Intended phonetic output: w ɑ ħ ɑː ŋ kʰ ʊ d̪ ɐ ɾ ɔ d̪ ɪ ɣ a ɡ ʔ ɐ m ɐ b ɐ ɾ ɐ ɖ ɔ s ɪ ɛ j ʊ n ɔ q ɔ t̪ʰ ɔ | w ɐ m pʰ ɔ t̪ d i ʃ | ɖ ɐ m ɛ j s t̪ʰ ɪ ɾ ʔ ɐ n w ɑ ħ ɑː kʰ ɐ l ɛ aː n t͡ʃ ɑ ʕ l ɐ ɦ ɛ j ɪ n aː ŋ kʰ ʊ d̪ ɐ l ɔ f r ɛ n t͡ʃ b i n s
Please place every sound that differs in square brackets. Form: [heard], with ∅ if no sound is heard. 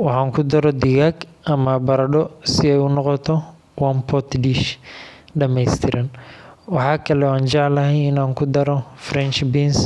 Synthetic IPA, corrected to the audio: w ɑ ħ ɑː ŋ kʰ ʊ d̪ ɐ ɾ ɔ d̪ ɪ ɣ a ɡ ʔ ɐ m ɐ b ɐ ɾ ɐ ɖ ɔ s ɪ ɛ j ʊ n ɔ q ɔ t̪ʰ ɔ | w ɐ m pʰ ɔ t̪ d i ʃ | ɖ ɐ m ɛ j s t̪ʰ ɪ ɾ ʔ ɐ n w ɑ ħ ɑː kʰ ɐ l ɛ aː n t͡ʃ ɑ ʕ l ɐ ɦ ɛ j ɪ n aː ŋ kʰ ʊ d̪ ɐ [ɾ] ɔ f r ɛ n t͡ʃ b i n s